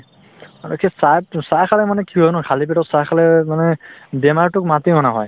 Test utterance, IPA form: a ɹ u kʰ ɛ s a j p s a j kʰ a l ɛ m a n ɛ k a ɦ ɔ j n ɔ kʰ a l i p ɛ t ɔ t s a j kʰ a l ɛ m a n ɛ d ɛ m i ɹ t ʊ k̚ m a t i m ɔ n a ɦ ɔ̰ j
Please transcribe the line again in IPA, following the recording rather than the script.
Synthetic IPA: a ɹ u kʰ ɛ s a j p s a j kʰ a l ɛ m a n ɛ k i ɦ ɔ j n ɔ kʰ a l i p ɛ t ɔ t s a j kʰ a l ɛ m a n ɛ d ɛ m a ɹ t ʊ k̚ m a t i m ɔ n a ɦ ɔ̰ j